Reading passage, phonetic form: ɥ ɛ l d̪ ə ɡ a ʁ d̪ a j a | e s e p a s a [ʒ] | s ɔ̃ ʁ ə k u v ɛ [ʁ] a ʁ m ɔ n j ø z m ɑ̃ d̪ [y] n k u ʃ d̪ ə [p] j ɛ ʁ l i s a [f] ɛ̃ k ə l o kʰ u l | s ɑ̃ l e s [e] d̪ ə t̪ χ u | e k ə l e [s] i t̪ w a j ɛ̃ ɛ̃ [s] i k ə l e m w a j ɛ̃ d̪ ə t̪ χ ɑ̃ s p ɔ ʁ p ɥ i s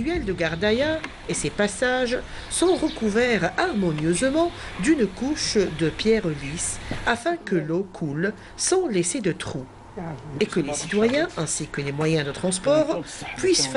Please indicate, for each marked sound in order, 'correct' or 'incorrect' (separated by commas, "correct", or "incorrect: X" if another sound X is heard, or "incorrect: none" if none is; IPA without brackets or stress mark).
correct, correct, correct, correct, correct, correct, correct, correct